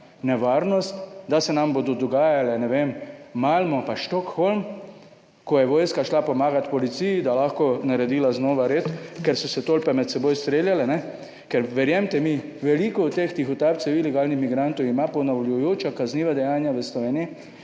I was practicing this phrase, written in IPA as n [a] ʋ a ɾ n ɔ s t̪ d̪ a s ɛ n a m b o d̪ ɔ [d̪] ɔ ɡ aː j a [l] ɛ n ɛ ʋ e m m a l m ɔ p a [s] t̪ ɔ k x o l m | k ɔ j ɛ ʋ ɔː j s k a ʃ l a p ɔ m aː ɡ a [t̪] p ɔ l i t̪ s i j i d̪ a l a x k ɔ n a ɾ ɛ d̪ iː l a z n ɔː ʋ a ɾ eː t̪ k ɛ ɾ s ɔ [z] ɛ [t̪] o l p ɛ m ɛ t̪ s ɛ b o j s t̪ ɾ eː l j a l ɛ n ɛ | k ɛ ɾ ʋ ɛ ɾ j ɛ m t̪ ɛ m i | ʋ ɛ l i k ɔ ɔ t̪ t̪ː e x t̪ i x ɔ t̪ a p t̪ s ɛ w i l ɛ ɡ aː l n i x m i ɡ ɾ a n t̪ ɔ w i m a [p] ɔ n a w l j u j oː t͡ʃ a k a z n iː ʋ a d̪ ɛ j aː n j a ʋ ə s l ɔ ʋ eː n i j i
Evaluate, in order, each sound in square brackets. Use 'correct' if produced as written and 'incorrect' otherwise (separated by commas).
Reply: incorrect, correct, correct, incorrect, correct, incorrect, correct, correct